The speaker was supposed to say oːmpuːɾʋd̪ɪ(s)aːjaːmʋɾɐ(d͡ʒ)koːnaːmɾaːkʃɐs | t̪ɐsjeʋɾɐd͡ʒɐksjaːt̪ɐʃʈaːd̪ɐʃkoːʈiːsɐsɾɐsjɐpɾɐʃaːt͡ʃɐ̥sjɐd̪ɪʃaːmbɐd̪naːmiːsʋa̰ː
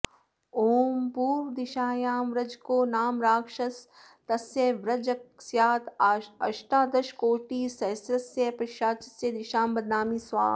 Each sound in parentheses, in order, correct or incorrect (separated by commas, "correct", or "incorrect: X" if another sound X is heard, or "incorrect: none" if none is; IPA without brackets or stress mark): incorrect: ʃ, correct